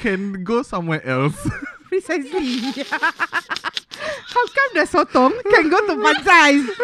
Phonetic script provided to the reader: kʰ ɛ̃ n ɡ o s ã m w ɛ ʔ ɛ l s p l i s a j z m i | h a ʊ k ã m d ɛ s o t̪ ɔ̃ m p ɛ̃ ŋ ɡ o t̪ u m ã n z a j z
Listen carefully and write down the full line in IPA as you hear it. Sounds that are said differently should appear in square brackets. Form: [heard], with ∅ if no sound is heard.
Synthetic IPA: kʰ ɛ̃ n ɡ o s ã m w ɛ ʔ ɛ l s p [ɹ] i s a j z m i | h a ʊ k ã m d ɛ s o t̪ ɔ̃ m [k] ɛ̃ [n] ɡ o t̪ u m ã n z a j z